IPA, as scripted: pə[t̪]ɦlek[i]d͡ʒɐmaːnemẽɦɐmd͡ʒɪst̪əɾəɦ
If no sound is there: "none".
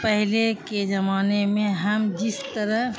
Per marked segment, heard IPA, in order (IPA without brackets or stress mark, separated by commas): none, e